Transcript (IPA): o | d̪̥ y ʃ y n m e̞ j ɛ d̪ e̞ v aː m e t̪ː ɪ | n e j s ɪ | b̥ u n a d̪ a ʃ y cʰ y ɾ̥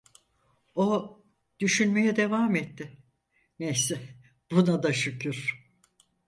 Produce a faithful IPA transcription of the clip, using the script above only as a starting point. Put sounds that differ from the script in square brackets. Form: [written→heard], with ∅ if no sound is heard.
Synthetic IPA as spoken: o | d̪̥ y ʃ y n m e̞ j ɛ d̪ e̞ v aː m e t̪ː ɪ | n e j s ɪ | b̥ u n a d̪ a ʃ y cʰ y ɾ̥